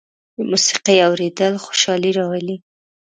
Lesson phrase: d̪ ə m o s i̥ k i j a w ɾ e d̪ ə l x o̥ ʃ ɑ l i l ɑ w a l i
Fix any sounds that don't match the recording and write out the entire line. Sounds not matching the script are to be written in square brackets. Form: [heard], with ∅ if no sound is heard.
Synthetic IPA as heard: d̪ ə m [u] s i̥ [q] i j a w ɾ e d̪ ə l x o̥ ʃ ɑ l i [ɾ] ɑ w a l i